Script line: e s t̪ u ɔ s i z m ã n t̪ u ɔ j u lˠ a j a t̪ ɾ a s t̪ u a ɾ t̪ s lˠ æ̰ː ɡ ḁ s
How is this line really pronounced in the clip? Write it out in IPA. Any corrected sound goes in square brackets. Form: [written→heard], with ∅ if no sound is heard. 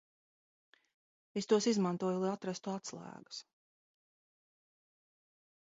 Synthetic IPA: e s t̪ u ɔ s i z m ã n t̪ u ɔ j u lˠ a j a t̪ ɾ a s t̪ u a [ɾ→∅] t̪ s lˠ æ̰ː ɡ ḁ s